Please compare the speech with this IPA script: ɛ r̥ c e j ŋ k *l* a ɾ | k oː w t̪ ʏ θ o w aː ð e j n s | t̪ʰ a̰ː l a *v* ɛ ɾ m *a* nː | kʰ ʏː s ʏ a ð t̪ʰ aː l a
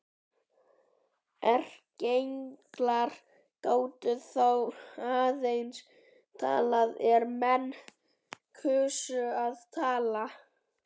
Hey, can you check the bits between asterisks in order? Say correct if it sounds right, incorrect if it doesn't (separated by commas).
correct, incorrect, incorrect